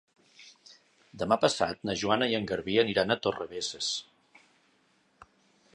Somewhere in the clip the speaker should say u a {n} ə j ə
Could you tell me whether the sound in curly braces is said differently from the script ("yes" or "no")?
no